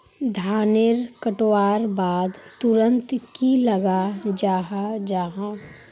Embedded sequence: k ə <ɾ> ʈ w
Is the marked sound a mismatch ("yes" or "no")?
yes